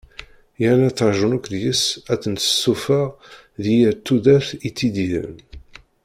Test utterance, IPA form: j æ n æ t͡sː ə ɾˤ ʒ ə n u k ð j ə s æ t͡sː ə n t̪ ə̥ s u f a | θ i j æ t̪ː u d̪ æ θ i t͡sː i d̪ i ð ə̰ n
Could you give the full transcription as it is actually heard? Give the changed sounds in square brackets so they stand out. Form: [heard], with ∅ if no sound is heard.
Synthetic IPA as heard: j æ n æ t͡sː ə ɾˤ ʒ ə n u k ð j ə s æ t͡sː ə n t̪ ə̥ s u f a | [ð] i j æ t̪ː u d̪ æ θ i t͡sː i d̪ i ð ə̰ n